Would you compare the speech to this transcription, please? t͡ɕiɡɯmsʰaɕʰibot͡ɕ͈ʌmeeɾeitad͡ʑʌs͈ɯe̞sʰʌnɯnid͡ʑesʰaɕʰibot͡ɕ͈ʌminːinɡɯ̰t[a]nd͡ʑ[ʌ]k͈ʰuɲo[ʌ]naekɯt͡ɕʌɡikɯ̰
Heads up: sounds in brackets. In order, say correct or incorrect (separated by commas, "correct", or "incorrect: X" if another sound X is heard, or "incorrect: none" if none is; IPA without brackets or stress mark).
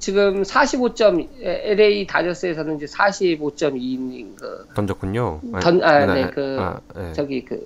incorrect: ʌ, correct, correct